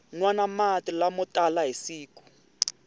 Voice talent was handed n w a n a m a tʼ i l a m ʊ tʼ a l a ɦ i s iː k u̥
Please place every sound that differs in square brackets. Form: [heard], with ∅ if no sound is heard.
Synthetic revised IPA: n w a n a m a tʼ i l a m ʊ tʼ a l a ɦ i s iː k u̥